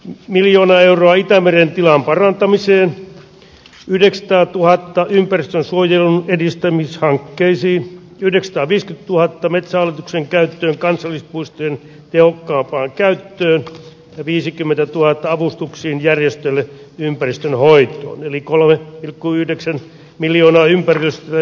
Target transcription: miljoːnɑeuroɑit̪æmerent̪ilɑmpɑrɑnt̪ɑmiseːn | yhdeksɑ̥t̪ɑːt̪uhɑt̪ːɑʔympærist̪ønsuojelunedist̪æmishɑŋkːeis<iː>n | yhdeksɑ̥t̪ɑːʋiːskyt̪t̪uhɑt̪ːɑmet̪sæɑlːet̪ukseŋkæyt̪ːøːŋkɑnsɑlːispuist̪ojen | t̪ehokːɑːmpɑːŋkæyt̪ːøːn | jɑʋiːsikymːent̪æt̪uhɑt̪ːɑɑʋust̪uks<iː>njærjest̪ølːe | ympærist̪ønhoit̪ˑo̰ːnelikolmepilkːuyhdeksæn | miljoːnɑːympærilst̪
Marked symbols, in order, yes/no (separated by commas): yes, yes